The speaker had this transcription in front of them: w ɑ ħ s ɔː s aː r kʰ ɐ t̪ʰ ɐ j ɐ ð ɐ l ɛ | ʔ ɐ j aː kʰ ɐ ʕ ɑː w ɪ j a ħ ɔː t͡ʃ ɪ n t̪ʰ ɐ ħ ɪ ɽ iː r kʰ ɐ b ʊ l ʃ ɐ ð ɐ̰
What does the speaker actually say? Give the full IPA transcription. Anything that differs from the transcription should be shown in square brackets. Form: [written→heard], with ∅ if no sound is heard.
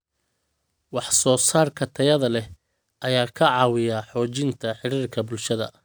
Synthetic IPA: w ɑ ħ s ɔː s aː r kʰ ɐ t̪ʰ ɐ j ɐ ð ɐ l ɛ | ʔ ɐ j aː kʰ ɐ ʕ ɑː w ɪ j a ħ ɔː t͡ʃ ɪ n t̪ʰ ɐ ħ ɪ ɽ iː r kʰ ɐ b ʊ l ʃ ɐ ð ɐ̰

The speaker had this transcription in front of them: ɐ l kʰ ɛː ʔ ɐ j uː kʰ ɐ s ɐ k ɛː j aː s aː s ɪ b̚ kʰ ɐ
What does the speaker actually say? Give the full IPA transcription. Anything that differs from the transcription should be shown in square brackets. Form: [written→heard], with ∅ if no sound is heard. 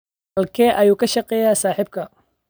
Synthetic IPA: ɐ l kʰ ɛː ʔ ɐ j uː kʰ ɐ [s→ʃ] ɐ [k→q] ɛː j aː s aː [s→ħ] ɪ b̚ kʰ ɐ

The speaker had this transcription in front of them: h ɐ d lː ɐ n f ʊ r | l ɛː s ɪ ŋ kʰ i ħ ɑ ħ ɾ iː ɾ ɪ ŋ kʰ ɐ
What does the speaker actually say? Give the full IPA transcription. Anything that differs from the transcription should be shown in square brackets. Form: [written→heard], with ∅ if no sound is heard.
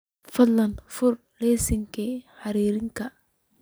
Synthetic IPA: [h→f] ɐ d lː ɐ n f ʊ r | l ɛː s ɪ ŋ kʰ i ħ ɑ [ħ→∅] ɾ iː ɾ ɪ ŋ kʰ ɐ

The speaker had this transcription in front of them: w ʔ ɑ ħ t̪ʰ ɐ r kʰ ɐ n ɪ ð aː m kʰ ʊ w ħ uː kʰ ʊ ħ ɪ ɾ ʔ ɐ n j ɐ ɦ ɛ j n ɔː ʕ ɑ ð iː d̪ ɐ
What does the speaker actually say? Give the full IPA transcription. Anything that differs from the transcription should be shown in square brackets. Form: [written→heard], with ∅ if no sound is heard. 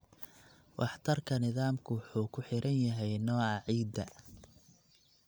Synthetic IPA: w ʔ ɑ ħ t̪ʰ ɐ r kʰ ɐ n ɪ ð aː m kʰ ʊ w ħ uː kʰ ʊ ħ ɪ ɾ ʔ ɐ n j ɐ ɦ ɛ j n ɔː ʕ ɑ [ð→ʕ] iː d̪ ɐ

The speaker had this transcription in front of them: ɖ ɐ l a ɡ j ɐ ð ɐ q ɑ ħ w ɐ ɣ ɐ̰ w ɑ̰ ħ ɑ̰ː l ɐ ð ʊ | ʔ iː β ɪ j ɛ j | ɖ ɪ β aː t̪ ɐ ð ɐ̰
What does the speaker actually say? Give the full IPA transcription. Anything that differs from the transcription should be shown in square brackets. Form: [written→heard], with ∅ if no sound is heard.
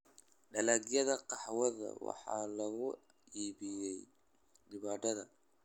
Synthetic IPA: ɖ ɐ l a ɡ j ɐ ð ɐ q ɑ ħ w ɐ [ɣ→ð] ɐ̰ w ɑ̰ ħ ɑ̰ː l ɐ [ð→ɣ] ʊ | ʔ iː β ɪ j ɛ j | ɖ ɪ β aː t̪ ɐ ð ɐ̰

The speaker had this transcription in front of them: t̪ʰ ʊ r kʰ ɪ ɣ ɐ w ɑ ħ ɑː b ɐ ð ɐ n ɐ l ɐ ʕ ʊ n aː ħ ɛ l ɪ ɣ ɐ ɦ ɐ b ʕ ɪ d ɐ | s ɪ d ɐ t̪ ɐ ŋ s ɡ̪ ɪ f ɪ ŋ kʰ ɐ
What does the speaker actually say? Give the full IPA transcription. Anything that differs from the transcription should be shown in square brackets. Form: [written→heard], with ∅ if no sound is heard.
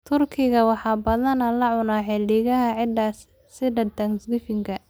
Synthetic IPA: t̪ʰ ʊ r kʰ ɪ ɣ ɐ w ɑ ħ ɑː b ɐ ð ɐ n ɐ l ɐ ʕ ʊ n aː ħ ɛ l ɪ ɣ ɐ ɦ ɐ [b→∅] ʕ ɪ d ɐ | s ɪ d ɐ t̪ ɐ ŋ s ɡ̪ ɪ f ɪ ŋ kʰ ɐ

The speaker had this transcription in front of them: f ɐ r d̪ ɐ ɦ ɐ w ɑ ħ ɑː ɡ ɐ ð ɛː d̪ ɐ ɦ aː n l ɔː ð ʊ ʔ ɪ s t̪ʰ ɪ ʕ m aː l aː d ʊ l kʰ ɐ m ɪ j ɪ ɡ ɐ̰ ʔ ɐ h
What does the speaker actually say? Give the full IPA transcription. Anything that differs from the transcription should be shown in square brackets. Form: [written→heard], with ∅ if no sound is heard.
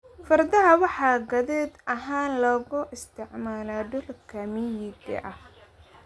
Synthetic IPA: f ɐ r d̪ ɐ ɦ ɐ w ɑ ħ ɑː ɡ ɐ ð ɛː d̪ ɐ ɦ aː n l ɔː [ð→ɣ] ʊ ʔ ɪ s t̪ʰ ɪ ʕ m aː l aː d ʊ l kʰ ɐ m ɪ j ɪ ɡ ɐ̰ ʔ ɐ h

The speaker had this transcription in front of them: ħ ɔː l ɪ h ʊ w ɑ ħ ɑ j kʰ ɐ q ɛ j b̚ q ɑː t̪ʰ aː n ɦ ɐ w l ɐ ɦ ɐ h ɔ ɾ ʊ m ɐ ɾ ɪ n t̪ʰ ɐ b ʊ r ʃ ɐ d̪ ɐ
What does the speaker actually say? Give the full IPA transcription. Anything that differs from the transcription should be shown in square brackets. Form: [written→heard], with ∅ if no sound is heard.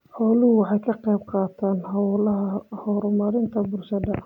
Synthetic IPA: ħ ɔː l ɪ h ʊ w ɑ ħ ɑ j kʰ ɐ q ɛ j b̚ q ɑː t̪ʰ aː n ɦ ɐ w l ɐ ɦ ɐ h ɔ ɾ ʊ m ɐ ɾ ɪ n t̪ʰ ɐ b ʊ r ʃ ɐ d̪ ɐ

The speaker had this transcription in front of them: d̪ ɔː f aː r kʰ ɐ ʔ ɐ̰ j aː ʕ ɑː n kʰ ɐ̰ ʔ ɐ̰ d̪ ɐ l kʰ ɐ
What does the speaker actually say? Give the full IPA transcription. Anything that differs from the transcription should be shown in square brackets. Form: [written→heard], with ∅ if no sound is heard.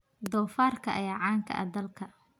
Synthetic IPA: d̪ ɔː f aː r kʰ ɐ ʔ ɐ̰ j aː ʕ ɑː [n→ŋ] kʰ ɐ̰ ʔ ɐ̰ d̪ ɐ l kʰ ɐ

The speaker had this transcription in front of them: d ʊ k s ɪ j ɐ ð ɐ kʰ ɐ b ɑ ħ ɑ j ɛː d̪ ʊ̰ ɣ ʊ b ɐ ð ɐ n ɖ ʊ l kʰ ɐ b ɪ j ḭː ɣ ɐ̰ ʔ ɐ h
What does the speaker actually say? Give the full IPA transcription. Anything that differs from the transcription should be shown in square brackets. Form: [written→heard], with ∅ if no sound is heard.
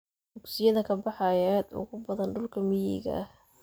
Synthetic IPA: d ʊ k s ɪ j ɐ ð ɐ kʰ ɐ b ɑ ħ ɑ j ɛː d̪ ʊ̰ ɣ ʊ b ɐ ð ɐ n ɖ ʊ l kʰ ɐ [b→m] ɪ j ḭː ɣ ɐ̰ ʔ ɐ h

